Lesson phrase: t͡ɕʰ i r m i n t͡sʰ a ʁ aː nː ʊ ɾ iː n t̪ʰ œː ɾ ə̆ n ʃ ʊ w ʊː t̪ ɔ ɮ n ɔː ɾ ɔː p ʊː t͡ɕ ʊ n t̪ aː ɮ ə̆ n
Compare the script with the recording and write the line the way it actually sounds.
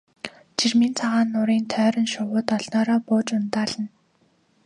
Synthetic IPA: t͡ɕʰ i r m i n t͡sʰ a ʁ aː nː ʊ ɾ iː n t̪ʰ œː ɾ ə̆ n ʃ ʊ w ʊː t̪ ɔ ɮ n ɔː ɾ ɔː p ʊː t͡ɕ ʊ n t̪ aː ɮ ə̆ n

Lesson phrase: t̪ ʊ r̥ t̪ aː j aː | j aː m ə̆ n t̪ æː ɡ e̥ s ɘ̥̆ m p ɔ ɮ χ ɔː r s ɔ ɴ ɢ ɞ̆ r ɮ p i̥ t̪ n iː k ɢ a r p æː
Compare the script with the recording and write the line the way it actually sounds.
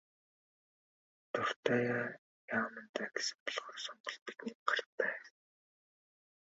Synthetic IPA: t̪ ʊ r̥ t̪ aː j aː | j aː m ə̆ n t̪ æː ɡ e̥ s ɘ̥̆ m p ɔ ɮ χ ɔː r s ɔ ɴ ɢ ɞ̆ ɮ p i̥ t̪ n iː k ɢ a r p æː

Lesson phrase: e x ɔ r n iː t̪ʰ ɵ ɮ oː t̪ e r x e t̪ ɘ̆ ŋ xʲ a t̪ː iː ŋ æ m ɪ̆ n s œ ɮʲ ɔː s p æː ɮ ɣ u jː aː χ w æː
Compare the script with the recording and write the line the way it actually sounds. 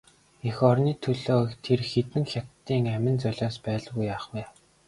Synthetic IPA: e x ɔ r n iː t̪ʰ ɵ ɮ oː t̪ʰ e r x e t̪ ɘ̆ ŋ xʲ a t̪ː iː ŋ æ m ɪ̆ n t͡s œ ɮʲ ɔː s p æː ɮ ɣ u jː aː χ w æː

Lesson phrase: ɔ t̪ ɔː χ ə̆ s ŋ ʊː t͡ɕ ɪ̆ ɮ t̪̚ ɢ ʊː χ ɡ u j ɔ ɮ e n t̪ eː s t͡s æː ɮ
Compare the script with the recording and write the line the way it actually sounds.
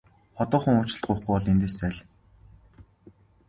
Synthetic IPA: ɔ t̪ ɔː χ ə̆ ŋ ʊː t͡ɕ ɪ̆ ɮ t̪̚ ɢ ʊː χ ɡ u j ɔ ɮ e n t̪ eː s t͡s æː ɮ

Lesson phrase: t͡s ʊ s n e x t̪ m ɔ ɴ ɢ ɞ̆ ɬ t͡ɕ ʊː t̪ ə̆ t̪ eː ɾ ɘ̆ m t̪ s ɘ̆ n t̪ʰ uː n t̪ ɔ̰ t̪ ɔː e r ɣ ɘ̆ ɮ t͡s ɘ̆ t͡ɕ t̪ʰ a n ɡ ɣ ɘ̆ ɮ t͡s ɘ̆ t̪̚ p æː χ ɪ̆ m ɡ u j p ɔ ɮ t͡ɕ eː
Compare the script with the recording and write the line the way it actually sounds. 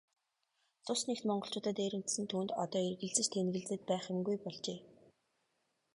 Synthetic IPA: t͡s ʊ s n e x t̪ m ɔ ɴ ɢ ɞ̆ ɬ t͡ɕ ʊː t̪ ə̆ t̪ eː ɾ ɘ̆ m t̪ s ɘ̆ n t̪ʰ uː n t̪ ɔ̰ t̪ ɔː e r ɣ ɘ̆ ɮ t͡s ɘ̆ t͡ɕ t̪ʰ e n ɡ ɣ ɘ̆ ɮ t͡s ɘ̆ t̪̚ p æː χ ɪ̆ m ɡ u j p ɔ ɮ t͡ɕ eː

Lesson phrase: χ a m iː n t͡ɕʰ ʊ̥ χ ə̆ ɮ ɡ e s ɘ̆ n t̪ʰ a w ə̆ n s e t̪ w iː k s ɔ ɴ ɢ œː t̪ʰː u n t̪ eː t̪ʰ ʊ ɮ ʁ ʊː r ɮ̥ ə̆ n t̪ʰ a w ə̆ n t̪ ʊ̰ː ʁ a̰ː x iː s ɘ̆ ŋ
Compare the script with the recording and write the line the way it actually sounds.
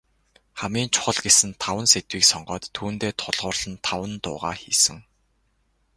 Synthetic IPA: χ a m iː n t͡ɕʰ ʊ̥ χ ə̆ ɮ ɡ e s ɘ̆ n t̪ʰ a w ə̆ n s e t̪ w iː k s ɔ ɴ ɢ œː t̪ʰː uː n t̪ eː t̪ʰ ʊ ɮ ʁ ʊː r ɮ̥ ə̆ n t̪ʰ a w ə̆ n t̪ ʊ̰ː ʁ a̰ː x iː s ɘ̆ ŋ

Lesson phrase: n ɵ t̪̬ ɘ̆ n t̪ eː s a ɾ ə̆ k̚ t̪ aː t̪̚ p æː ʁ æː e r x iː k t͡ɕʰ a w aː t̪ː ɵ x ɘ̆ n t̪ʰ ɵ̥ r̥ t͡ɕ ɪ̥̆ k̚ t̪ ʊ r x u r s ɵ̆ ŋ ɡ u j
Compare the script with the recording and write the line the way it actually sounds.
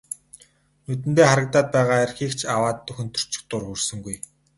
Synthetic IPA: n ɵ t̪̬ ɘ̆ n t̪ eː χ a ɾ ə̆ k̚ t̪ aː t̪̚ p æː ʁ aː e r x iː k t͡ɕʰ a w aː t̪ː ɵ x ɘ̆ n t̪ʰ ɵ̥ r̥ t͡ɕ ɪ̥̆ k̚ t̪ ʊ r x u r s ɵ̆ ŋ ɡ u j

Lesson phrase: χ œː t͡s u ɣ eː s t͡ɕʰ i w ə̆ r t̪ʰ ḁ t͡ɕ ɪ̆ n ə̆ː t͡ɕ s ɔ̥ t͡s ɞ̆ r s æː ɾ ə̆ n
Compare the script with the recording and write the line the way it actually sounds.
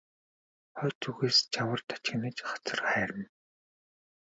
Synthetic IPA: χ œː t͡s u ɣ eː s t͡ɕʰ a w ə̆ r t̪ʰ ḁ t͡ɕ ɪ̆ n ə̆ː t͡ɕ χ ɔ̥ t͡s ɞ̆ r χ æː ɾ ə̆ n

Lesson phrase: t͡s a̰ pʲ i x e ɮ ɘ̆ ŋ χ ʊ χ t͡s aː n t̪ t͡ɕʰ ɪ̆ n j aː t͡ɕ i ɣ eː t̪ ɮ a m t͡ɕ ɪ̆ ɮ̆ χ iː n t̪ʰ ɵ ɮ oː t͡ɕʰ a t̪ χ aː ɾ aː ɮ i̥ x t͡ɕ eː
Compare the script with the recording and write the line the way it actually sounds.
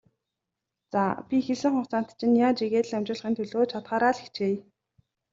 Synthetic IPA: t͡s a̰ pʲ i x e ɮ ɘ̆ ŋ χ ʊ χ t͡s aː n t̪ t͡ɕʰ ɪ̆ n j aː t͡ɕ i ɣ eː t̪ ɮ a m t͡ɕ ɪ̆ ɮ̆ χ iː n t̪ʰ ɵ ɮ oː t͡ɕʰ a t̪ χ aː ɾ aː ɮ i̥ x t͡ɕ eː

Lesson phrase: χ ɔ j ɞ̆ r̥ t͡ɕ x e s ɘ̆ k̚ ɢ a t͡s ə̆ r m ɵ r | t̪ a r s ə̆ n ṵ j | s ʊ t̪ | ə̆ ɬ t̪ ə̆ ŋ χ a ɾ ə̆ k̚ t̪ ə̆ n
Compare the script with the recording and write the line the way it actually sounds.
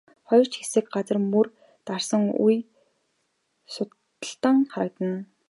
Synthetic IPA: χ ɔ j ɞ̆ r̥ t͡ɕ x e s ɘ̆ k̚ ɢ a t͡s ə̆ r m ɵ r | t̪ a r s ə̆ ŋ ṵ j | s ʊ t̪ | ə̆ ɬ t̪ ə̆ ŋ χ a ɾ ə̆ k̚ t̪ ə̆ n

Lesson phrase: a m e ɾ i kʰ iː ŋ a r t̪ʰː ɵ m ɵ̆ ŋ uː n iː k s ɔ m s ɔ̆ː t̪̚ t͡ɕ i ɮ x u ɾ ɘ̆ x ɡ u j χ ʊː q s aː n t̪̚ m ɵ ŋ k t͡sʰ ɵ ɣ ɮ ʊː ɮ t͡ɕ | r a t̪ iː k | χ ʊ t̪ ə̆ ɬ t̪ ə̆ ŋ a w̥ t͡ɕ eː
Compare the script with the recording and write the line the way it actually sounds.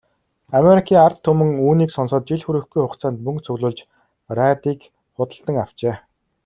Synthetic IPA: a m e ɾ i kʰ iː ŋ a r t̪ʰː ɵ m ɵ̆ ŋ uː n iː k s ɔ n s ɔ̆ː t̪̚ t͡ɕ i ɮ x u ɾ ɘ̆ x ɡ u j χ ʊ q t͡s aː n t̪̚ m ɵ ŋ k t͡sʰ ɵ ɣ ɮ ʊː ɮ t͡ɕ | r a t̪ iː k | χ ʊ t̪ ə̆ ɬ t̪ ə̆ ŋ a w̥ t͡ɕ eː

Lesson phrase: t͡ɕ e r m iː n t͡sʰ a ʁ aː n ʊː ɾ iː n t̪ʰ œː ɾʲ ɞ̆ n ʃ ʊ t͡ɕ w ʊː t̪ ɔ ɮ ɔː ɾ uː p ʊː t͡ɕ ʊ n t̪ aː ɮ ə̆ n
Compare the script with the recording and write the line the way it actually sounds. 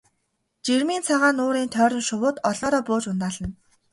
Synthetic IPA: t͡ɕ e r m iː n t͡sʰ a ʁ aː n ʊː ɾ iː n t̪ʰ œː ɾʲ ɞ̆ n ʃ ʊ w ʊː t̪ ɔ ɮ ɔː ɾ ɔː p ʊː t͡ɕ ʊ n t̪ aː ɮ ə̆ n

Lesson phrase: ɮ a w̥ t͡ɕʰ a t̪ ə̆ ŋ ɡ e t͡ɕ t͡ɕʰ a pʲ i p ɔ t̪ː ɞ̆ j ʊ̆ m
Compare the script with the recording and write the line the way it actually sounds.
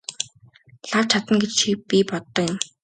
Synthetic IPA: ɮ a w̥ t͡ɕʰ a t̪ ə̆ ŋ ɡ e t͡ɕ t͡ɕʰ i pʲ i p ɔ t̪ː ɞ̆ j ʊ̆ m

